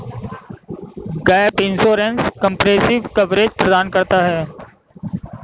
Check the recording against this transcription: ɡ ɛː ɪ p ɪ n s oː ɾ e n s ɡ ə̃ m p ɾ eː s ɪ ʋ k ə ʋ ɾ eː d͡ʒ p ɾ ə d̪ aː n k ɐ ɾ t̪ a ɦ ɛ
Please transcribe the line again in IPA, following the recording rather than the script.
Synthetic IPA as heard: ɡ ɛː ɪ p ɪ n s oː ɾ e n s k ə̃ m p ɾ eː s ɪ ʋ k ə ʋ ɾ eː d͡ʒ p ɾ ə d̪ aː n k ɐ ɾ t̪ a ɦ ɛː